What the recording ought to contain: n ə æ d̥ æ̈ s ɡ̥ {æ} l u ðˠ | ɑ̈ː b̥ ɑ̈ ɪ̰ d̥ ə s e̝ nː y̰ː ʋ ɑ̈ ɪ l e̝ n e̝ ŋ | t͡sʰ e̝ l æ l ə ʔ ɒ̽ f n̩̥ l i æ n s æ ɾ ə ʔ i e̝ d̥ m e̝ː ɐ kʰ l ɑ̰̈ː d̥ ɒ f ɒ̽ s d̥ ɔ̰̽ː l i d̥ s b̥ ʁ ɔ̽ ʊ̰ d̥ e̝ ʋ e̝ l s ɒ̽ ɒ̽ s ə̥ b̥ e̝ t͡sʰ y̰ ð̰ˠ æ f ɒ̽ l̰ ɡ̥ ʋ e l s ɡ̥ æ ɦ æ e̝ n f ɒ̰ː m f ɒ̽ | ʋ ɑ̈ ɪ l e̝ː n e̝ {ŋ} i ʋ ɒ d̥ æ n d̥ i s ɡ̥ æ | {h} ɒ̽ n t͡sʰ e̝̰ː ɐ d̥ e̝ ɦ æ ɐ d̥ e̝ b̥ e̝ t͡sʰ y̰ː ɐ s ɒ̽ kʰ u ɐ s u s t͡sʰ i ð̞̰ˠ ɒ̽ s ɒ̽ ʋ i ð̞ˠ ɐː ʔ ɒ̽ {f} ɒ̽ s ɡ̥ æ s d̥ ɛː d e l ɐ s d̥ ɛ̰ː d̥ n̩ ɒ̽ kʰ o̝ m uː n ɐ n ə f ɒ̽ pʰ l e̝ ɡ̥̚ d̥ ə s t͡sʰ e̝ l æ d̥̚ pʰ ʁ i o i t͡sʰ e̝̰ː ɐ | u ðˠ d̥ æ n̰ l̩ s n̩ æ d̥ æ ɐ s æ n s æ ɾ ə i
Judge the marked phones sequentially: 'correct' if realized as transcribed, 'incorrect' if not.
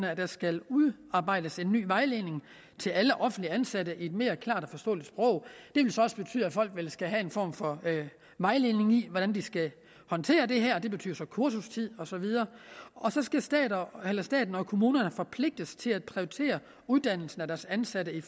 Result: correct, correct, correct, incorrect

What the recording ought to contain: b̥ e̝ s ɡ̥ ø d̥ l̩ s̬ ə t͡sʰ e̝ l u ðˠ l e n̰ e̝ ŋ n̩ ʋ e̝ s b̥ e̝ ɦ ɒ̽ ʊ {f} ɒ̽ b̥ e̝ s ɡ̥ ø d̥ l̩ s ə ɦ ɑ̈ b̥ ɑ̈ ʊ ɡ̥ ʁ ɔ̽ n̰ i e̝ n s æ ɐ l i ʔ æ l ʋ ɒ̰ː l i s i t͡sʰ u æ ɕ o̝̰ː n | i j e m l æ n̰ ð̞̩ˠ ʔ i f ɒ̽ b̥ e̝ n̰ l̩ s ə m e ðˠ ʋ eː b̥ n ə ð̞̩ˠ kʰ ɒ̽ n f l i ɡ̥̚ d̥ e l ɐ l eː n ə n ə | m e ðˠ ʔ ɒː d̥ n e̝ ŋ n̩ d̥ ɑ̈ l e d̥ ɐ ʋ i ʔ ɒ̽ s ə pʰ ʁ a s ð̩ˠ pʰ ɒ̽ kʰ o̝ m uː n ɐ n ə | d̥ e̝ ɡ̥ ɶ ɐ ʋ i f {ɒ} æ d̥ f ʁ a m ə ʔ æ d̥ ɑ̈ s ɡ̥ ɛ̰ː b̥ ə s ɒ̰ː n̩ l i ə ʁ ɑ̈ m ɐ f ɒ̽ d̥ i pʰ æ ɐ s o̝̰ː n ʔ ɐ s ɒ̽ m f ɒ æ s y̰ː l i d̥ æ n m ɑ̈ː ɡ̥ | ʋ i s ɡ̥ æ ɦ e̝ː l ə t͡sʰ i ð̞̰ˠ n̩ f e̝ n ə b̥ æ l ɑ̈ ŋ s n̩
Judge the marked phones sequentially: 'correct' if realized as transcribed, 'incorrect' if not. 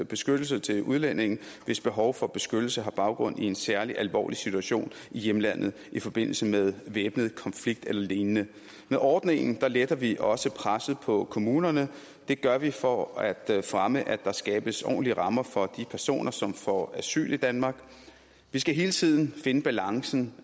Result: correct, correct

